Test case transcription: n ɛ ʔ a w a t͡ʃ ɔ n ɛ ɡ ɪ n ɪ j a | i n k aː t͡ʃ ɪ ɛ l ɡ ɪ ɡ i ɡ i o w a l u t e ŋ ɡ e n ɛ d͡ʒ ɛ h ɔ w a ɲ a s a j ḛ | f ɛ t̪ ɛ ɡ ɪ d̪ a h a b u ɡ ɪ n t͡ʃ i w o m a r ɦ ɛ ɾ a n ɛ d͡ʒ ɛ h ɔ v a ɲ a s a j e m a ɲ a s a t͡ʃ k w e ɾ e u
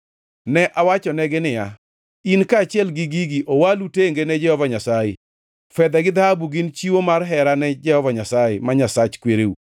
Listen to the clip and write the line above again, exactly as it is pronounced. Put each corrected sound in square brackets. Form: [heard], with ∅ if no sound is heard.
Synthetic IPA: n ɛ ʔ a w a t͡ʃ ɔ n ɛ ɡ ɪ n ɪ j a | i n k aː t͡ʃ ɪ ɛ l ɡ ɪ ɡ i ɡ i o w a l u t e ŋ ɡ e n ɛ d͡ʒ ɛ h ɔ [v] a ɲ a s a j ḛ | f ɛ [d̪] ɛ ɡ ɪ d̪ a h a b u ɡ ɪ n t͡ʃ i w o m a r ɦ ɛ ɾ a n ɛ d͡ʒ ɛ h ɔ v a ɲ a s a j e m a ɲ a s a t͡ʃ k w e ɾ e u